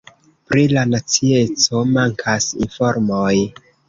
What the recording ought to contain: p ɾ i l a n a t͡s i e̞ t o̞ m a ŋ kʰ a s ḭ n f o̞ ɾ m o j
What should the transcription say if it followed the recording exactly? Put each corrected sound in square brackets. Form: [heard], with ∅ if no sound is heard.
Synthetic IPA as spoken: p ɾ i l a n a t͡s i e̞ [t͡s] o̞ m a ŋ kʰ a s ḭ n f o̞ ɾ m o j